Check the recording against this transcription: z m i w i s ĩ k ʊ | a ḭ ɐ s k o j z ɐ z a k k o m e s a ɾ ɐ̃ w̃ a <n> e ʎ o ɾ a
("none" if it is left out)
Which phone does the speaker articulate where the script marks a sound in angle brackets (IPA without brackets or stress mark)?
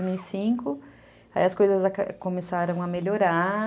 m